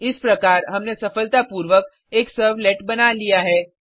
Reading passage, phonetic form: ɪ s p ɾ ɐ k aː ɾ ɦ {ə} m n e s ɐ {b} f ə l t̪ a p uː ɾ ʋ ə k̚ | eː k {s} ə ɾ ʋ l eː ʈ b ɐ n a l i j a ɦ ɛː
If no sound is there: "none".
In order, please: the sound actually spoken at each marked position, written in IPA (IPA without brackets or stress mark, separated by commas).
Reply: ɐ, none, s